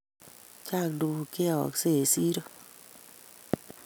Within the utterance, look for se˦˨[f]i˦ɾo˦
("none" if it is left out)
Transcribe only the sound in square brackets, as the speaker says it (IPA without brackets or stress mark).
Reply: s